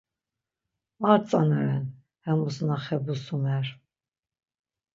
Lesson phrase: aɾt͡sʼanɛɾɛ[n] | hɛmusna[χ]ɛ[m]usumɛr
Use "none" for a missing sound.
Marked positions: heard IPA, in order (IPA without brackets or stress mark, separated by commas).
n, χ, b